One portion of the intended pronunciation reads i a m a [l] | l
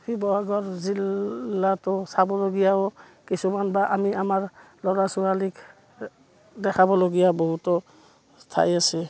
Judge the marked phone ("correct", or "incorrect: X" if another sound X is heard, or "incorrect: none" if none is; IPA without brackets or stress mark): incorrect: ɹ